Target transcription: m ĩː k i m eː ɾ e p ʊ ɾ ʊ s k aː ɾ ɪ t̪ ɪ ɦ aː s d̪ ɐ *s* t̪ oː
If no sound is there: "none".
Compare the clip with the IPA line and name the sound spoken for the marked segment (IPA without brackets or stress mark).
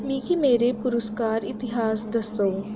s